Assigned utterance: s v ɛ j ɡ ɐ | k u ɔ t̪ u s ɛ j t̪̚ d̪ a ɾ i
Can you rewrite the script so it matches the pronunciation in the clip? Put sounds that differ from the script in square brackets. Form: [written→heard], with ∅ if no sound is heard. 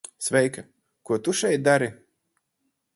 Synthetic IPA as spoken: s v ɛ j [ɡ→k] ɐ | k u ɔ t̪ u [s→ʃ] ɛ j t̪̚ d̪ a ɾ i